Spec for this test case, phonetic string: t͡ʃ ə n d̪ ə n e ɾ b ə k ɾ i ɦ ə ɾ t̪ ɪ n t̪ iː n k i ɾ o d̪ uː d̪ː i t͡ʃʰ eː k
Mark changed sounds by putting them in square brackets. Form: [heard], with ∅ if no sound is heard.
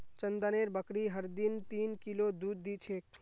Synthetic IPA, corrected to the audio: t͡ʃ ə n d̪ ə n e ɾ b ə k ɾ i ɦ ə ɾ [d̪] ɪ n t̪ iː n k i [l] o d̪ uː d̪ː i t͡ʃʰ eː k